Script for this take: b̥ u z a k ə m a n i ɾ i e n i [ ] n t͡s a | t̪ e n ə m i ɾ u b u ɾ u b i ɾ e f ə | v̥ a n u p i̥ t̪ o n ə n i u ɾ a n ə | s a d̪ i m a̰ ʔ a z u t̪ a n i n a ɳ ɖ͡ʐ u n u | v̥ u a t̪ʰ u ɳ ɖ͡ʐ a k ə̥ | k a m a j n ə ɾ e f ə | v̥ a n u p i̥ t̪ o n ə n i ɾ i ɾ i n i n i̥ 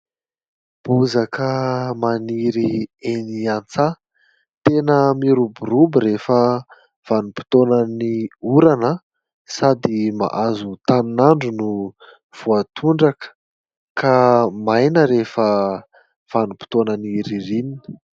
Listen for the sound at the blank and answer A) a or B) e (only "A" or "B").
A